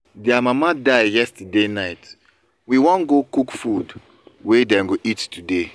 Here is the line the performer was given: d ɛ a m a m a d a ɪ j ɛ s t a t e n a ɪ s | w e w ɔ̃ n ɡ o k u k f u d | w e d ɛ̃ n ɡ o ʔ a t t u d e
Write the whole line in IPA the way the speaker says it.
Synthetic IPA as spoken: d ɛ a m a m a d a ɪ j ɛ s t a d e n a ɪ t | w i w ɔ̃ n ɡ o k u k f u d | w e d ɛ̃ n ɡ o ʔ i t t u d e